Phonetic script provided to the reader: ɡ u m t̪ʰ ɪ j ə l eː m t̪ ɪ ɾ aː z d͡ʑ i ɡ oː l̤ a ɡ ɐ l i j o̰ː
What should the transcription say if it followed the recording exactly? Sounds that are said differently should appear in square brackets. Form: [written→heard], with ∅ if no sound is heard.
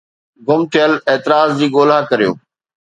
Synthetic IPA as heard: ɡ [u→ʊ] m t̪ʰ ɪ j ə l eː [m→∅] t̪ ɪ ɾ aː z d͡ʑ [i→iː] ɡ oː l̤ a [ɡ→k] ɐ [l→ɾ] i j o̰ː